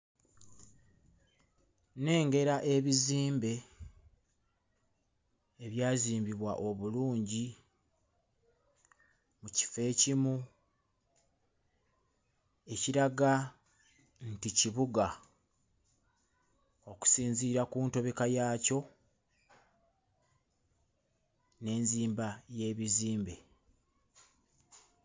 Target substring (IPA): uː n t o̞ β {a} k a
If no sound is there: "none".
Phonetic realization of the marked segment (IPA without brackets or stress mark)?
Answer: e